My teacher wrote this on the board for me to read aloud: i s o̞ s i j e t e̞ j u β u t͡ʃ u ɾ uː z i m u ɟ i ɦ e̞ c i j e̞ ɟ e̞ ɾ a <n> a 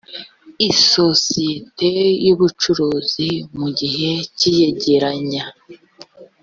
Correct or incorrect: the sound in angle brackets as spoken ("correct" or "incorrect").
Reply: incorrect